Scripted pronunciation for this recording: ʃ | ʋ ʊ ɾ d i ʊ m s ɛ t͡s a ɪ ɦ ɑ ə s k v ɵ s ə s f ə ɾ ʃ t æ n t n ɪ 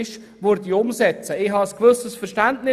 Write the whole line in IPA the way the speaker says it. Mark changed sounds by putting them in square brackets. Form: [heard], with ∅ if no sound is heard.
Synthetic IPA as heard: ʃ | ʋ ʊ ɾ d i ʊ m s ɛ t͡s [ə] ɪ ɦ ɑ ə s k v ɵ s ə s f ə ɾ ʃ t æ n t n ɪ